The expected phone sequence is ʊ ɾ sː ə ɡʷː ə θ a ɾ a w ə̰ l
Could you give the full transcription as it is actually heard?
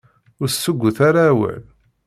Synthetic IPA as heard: ʊ ɾ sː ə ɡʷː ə θ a ɾ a w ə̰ l